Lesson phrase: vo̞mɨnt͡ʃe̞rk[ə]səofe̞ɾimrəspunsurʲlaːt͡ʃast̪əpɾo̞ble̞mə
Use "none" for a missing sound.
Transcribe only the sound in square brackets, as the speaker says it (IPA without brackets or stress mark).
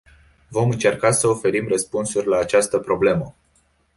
a